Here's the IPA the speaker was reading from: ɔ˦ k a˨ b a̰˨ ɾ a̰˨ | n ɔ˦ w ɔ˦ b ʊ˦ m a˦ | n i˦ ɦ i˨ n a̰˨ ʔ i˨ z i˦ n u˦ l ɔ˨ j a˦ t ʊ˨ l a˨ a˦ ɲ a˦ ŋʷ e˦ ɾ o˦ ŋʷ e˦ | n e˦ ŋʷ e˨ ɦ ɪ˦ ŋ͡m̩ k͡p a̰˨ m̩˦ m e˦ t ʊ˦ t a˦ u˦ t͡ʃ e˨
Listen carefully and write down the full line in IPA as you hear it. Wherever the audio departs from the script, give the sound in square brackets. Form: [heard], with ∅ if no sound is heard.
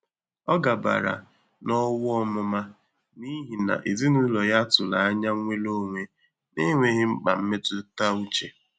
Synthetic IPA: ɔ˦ [ɡ] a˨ b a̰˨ ɾ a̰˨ | n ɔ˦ w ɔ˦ [m] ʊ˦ m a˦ | n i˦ ɦ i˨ n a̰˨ ʔ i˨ z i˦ n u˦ l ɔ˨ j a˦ t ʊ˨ l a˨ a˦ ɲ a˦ ŋʷ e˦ [l] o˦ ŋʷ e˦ | n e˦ ŋʷ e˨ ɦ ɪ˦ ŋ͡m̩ k͡p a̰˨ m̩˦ m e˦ t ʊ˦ t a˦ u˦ t͡ʃ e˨